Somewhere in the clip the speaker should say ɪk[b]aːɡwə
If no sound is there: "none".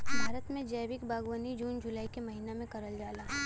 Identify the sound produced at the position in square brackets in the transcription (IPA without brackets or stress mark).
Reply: b